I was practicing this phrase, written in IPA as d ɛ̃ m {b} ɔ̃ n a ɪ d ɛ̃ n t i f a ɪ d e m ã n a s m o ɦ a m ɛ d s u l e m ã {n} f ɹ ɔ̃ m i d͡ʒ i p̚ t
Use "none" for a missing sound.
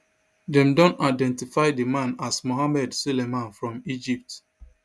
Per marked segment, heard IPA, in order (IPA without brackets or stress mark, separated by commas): d, n